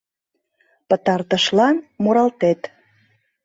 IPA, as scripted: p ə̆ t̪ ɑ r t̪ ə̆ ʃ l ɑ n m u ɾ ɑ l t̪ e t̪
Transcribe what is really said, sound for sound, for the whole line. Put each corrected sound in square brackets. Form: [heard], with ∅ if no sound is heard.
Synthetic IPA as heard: p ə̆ t̪ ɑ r t̪ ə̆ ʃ l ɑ n m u ɾ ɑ l t̪ e t̪